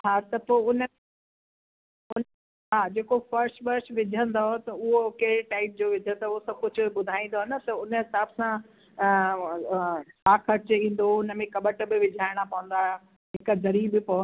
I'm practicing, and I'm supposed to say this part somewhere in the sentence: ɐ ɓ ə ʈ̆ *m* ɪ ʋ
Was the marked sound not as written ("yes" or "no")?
yes